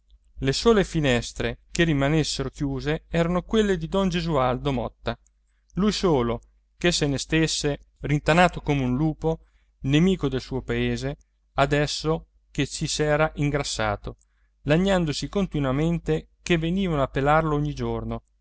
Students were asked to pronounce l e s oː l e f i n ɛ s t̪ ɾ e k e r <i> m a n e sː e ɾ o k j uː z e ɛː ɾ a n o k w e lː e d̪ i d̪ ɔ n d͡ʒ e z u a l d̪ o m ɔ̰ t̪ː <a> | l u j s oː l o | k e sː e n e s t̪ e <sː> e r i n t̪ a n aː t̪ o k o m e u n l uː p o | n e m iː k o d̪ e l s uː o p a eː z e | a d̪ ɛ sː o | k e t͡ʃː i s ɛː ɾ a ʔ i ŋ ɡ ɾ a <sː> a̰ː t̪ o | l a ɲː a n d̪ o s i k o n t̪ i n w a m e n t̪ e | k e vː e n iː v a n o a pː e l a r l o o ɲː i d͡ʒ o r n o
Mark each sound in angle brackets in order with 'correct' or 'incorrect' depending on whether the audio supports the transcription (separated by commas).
correct, correct, correct, correct